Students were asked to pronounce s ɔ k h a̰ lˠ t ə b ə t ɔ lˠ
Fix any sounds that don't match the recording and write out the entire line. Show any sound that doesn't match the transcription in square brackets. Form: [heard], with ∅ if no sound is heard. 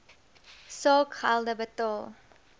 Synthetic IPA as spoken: s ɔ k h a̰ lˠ [d] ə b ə t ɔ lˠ